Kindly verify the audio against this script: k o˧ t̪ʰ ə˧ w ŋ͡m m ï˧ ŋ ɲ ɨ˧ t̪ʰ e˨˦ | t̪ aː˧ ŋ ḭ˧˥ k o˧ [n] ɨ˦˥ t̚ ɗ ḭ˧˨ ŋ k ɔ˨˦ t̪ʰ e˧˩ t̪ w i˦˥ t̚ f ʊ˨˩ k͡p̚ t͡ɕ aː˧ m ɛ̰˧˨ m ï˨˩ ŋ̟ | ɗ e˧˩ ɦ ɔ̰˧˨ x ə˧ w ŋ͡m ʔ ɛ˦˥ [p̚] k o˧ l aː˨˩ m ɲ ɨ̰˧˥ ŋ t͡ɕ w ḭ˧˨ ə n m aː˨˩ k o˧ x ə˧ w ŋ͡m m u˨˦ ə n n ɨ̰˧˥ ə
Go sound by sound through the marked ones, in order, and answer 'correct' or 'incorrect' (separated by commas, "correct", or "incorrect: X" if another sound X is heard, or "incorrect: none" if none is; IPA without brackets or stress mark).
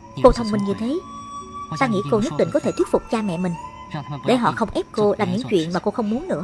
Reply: incorrect: ɲ, correct